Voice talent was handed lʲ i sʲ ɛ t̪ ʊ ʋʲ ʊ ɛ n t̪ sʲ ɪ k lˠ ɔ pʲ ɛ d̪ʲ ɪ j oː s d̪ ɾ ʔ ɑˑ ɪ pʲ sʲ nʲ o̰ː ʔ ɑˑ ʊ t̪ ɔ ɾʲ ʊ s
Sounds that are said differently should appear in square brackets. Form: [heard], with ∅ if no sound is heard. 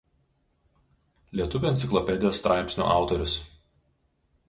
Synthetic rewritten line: lʲ i [∅] ɛ t̪ ʊ ʋʲ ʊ ɛ n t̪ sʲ ɪ k lˠ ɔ pʲ ɛ d̪ʲ ɪ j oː s [t̪] ɾ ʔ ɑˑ ɪ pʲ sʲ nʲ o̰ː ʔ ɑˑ ʊ t̪ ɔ ɾʲ ʊ s